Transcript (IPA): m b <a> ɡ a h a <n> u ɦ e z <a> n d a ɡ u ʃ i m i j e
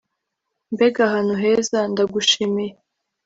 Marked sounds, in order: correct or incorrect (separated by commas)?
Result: incorrect, correct, correct